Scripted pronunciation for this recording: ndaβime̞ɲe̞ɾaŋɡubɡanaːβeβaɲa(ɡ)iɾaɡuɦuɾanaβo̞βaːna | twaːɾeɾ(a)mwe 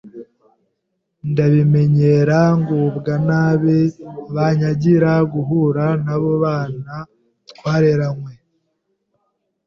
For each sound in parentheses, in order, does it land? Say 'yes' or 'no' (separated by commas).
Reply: no, yes